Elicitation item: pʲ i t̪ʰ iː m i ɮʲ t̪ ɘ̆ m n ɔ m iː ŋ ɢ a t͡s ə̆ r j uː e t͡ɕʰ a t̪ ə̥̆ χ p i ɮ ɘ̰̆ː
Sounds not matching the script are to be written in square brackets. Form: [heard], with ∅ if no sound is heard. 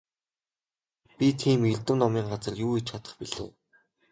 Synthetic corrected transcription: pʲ i t̪ʰ iː m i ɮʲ t̪ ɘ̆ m n ɔ m iː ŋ ɢ a t͡s ə̆ r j uː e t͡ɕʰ a t̪ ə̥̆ χ p i ɮ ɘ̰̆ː